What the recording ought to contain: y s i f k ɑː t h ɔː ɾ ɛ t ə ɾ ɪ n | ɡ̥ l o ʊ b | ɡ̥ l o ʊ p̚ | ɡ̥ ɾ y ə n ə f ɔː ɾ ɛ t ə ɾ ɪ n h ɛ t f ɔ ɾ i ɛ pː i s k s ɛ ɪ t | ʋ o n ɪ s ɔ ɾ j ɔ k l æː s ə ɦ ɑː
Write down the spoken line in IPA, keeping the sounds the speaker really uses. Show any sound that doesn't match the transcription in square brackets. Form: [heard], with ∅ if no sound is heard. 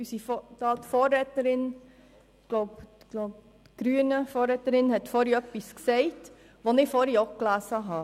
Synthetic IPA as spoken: y s i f [t] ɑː t [f] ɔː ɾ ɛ t ə ɾ ɪ n | ɡ̥ l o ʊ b | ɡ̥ l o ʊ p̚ | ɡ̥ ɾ y ə n ə f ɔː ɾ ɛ t ə ɾ ɪ n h ɛ t f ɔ ɾ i [œ] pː i s k s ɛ ɪ t | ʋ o n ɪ [f] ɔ ɾ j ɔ k l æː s ə ɦ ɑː